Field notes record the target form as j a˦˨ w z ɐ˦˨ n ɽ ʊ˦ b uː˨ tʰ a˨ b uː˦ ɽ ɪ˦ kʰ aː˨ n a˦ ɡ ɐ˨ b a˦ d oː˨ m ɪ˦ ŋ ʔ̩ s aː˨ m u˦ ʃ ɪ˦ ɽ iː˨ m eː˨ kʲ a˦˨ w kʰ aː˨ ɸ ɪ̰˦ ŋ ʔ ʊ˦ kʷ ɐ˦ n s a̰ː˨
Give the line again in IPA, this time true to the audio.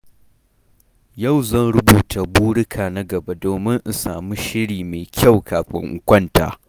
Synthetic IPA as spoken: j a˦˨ w z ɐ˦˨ n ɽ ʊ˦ b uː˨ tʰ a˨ b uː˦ ɽ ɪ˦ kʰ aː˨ n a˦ ɡ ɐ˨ b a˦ d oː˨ m ɪ˦ ŋ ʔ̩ s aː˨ m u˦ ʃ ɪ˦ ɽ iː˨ m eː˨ kʲ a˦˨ w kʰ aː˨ ɸ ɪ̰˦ ŋ ʔ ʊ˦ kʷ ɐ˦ n t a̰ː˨